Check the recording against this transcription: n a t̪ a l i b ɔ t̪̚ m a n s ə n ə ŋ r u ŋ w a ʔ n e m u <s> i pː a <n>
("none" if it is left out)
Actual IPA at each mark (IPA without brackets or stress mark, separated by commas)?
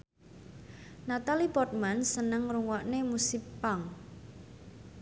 s, ŋ